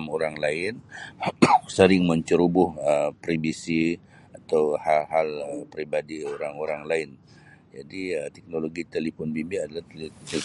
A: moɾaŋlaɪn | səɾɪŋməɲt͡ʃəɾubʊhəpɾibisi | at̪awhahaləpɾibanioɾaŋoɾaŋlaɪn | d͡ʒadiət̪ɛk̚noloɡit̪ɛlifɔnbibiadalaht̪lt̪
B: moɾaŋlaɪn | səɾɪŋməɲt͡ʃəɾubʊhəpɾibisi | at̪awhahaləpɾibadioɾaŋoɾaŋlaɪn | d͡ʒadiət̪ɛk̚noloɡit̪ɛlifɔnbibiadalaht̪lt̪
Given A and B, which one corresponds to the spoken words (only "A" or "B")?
B